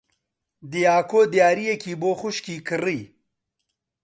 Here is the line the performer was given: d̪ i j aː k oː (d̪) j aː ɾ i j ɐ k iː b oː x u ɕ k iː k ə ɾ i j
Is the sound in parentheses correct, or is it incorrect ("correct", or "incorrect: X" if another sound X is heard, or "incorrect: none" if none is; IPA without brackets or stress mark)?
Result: correct